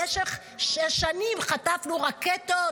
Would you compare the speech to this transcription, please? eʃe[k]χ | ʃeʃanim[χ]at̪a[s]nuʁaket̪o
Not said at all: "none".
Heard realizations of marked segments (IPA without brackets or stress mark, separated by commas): none, χ, f